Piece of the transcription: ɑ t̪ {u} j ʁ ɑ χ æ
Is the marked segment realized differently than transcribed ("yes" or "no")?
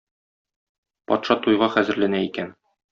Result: no